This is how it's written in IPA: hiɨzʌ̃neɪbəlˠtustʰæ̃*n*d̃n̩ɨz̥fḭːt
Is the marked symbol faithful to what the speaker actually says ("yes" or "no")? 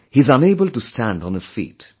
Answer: yes